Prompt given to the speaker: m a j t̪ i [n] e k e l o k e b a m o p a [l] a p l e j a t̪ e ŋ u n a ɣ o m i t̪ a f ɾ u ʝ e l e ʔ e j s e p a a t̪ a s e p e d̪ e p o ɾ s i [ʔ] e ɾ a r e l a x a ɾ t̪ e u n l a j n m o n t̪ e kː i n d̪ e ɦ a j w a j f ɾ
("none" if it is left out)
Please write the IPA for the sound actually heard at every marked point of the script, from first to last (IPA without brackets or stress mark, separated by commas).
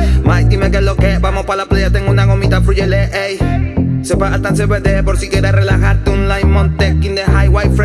m, l, k